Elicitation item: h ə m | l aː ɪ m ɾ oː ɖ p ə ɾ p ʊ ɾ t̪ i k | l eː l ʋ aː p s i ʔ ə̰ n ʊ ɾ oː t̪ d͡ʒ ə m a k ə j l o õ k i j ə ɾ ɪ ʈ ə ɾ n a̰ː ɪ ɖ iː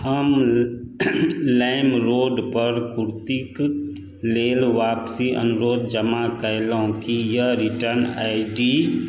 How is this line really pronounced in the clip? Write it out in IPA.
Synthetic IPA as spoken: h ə m | l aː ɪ m ɾ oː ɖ p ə ɾ k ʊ ɾ t̪ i k | l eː l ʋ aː p s i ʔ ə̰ n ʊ ɾ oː d̪ d͡ʒ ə m a k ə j l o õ k i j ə ɾ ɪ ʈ ə ɾ n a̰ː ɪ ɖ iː